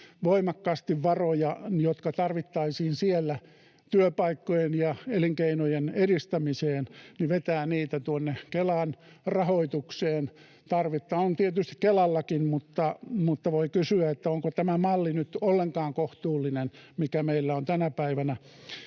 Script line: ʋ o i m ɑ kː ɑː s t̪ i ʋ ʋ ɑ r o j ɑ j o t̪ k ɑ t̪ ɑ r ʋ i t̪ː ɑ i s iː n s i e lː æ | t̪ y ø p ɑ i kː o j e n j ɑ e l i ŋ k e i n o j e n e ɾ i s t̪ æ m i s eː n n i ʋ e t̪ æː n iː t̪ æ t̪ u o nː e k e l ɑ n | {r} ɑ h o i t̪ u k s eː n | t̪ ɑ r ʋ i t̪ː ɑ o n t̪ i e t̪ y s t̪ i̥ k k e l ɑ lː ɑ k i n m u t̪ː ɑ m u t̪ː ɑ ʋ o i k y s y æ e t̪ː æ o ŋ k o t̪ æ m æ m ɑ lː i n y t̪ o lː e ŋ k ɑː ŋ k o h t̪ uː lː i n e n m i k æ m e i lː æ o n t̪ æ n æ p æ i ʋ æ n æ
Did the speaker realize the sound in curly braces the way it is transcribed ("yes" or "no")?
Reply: yes